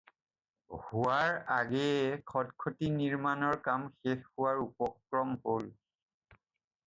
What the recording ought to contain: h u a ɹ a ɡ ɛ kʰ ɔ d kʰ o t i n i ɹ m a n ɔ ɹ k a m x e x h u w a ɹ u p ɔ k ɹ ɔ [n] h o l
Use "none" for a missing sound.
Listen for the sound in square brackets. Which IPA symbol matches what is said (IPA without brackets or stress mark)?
m